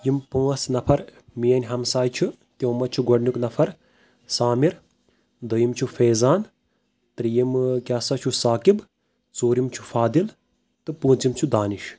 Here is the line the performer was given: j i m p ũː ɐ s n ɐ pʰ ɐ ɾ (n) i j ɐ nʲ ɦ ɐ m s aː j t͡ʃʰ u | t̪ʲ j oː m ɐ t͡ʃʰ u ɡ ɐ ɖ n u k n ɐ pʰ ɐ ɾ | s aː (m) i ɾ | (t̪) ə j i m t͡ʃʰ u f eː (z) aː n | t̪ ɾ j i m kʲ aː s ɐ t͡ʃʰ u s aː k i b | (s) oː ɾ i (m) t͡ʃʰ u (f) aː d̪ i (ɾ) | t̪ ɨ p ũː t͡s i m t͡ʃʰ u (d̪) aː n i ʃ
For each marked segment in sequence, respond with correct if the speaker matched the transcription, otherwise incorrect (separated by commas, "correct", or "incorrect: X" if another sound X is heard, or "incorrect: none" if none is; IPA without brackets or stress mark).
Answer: incorrect: m, correct, incorrect: d̪, correct, incorrect: t͡s, correct, correct, incorrect: l, correct